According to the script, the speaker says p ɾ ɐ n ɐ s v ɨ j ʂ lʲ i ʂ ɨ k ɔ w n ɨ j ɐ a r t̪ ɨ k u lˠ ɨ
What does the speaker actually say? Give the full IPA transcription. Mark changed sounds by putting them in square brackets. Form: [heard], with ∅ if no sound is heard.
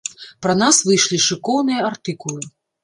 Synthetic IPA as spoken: p ɾ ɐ n [a] s v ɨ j ʂ lʲ i ʂ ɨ k ɔ w n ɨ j ɐ a r t̪ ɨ k u lˠ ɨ